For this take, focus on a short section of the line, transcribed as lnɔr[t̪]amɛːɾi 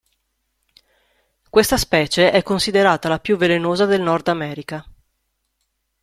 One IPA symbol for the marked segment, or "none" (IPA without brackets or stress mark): d̪